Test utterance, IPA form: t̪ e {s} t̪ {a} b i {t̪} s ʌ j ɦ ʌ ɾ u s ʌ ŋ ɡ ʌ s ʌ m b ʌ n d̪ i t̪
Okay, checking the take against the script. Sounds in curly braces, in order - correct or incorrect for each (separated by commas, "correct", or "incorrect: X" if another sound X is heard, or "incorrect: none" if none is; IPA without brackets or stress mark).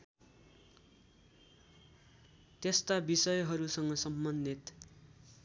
correct, correct, incorrect: none